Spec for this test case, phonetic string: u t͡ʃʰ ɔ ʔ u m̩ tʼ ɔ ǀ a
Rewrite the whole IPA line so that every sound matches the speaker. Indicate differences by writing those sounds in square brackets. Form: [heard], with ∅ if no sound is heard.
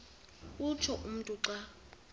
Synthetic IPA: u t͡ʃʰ ɔ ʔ u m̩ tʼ [u] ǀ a